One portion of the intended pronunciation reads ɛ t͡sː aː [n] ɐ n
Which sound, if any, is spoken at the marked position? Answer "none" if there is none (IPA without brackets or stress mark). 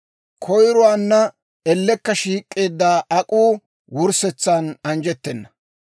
n